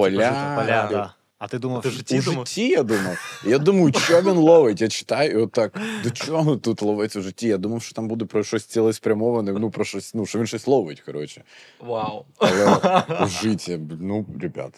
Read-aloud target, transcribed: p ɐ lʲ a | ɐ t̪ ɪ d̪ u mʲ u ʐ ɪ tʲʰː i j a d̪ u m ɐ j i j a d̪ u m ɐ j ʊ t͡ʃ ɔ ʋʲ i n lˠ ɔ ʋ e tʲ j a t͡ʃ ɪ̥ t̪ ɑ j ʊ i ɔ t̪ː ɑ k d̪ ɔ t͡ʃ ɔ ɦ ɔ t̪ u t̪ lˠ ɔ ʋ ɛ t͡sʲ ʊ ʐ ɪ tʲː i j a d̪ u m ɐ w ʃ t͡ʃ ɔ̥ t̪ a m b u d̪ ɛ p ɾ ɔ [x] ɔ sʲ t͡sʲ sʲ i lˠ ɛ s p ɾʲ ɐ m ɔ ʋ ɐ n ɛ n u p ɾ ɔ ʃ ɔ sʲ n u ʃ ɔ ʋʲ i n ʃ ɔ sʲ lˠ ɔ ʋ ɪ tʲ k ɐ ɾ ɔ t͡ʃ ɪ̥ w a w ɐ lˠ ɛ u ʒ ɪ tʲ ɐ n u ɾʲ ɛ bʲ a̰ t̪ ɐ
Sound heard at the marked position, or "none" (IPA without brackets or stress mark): ʃ